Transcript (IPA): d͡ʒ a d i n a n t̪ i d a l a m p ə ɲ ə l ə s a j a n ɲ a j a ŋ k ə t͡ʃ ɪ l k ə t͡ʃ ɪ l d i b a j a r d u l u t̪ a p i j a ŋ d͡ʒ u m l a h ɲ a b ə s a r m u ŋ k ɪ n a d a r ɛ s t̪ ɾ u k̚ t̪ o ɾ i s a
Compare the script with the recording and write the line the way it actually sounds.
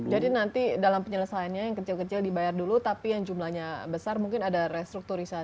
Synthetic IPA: d͡ʒ a d i n a n t̪ i d a l a m p ə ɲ ə l ə s a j a n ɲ a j a ŋ k ə t͡ʃ ɪ l k ə t͡ʃ ɪ l d i b a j a r d u l u t̪ a p i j a ŋ d͡ʒ u m l a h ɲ a b ə s a r m u ŋ k ɪ n a d a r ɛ s t̪ ɾ u k̚ t̪ u ɾ i s a